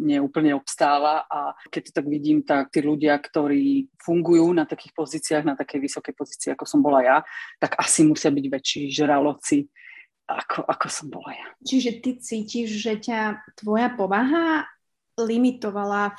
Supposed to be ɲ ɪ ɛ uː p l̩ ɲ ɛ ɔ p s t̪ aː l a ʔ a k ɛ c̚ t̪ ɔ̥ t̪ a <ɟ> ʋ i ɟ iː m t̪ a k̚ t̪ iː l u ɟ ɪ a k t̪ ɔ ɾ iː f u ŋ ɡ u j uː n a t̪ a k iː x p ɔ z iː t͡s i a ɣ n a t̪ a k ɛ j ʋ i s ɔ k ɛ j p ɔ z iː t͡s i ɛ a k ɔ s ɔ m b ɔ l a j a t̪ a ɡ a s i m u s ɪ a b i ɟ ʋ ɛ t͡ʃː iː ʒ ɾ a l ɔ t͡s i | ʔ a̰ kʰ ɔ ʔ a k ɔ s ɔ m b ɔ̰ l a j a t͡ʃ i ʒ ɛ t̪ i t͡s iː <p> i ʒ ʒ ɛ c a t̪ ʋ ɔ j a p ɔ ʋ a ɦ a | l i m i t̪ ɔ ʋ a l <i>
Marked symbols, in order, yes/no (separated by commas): no, no, no